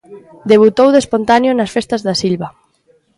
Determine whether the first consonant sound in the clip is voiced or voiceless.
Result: voiced